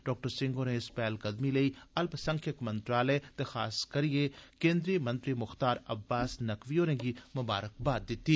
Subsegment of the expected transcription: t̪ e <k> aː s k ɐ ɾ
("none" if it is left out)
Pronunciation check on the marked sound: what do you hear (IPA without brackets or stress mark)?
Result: x